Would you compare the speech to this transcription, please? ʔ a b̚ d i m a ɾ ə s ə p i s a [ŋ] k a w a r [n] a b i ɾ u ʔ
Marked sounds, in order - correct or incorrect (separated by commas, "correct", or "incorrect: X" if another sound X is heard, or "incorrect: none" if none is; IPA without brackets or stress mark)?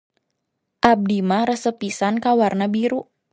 incorrect: n, correct